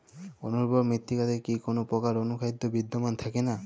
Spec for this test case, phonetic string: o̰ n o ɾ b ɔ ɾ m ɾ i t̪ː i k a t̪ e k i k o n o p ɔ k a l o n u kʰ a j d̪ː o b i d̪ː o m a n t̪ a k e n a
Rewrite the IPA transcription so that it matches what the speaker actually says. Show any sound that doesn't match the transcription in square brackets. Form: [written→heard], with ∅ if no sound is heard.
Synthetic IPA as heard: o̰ n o ɾ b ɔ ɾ m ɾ i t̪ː i k a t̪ e k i k o n o p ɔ k a [l→ɾ] o n u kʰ a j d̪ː o b i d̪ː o m a n [t̪→t̪ʰ] a k e n a